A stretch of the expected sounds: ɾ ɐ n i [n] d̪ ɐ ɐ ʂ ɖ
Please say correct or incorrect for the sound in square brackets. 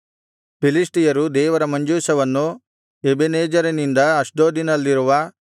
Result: correct